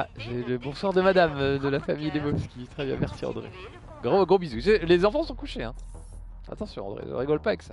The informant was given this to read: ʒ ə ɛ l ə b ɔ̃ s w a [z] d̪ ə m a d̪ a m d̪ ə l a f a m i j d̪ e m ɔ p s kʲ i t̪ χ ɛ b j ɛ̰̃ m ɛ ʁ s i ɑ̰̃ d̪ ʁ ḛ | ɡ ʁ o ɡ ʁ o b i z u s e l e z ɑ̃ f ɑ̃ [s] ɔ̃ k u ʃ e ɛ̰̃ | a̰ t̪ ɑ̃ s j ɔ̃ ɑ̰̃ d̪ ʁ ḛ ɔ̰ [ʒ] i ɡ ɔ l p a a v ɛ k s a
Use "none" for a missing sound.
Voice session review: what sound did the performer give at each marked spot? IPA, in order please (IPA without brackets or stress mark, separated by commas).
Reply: ʁ, s, ʁ